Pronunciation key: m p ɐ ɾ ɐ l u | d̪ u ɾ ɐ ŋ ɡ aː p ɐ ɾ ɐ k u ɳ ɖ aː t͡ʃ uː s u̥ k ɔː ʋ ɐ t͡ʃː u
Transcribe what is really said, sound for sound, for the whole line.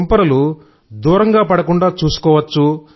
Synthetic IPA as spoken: m p ɐ ɾ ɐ l u | d̪ uː ɾ ɐ ŋ ɡ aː p ɐ ɽ ɐ k u ɳ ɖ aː t͡ʃ uː s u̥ k ɔː ʋ ɐ t͡ʃː u